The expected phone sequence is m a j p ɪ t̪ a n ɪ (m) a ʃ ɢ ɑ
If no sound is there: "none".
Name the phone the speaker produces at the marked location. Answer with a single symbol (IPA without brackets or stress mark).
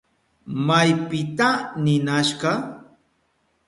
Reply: n